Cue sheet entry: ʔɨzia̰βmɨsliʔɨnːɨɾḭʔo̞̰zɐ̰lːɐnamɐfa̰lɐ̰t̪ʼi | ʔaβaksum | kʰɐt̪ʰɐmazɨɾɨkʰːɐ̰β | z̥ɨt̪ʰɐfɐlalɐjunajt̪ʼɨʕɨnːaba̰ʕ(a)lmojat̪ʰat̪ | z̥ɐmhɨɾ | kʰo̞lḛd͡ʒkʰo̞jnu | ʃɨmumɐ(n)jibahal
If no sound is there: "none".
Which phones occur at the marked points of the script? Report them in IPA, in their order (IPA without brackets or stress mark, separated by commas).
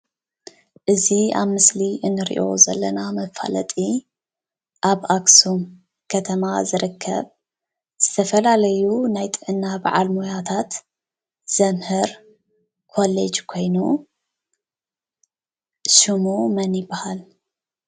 a, n